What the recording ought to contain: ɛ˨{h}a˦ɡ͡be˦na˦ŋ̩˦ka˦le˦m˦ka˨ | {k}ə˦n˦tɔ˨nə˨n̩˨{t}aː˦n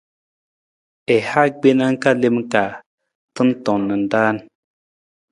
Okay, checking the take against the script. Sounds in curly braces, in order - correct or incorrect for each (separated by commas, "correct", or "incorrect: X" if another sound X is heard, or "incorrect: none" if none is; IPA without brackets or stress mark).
correct, incorrect: t, incorrect: d